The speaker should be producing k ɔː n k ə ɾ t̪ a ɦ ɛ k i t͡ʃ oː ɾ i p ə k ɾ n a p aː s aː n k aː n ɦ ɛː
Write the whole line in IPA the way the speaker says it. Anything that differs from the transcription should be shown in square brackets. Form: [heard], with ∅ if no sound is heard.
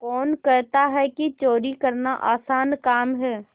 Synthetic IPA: k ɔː n k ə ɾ t̪ a ɦ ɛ k i t͡ʃ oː ɾ i [k] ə [∅] ɾ n a [ʔ] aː s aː n k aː [m] ɦ ɛː